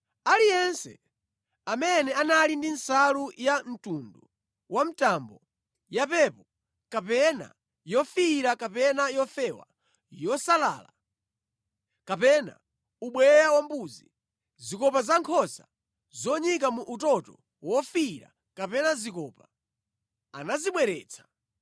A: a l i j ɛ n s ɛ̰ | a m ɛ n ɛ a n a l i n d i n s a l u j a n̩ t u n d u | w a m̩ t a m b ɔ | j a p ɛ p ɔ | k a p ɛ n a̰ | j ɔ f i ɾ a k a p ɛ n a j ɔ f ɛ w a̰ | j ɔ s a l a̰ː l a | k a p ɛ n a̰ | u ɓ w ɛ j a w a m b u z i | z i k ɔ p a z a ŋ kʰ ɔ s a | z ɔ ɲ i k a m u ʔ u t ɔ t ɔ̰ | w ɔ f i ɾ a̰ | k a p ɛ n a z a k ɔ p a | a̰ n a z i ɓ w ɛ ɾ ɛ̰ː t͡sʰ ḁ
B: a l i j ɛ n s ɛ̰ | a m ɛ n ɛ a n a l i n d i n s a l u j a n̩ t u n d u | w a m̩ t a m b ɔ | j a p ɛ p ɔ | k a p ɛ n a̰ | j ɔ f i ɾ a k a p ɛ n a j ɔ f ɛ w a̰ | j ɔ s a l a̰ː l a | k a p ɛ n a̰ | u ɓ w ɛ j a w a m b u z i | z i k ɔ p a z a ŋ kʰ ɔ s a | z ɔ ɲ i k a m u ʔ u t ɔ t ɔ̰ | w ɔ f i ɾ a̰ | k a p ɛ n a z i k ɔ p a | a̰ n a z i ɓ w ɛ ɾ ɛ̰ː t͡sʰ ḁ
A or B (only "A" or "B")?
B